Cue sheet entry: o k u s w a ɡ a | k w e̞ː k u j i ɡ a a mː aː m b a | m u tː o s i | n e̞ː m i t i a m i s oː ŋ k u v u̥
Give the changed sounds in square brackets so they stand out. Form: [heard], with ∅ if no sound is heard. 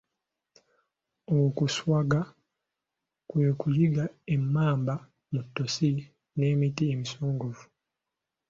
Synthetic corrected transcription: o k u s w a ɡ a | k w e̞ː k u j i ɡ a [e] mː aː m b a | m u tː o s i | n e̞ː m i t i [e] m i s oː ŋ [ɡ] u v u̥